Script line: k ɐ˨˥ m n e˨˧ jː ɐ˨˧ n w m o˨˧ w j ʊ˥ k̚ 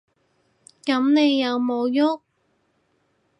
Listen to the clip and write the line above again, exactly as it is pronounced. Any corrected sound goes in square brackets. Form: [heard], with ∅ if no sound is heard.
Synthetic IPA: k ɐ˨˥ m n e˨˧ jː ɐ˨˧ [∅] w m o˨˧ w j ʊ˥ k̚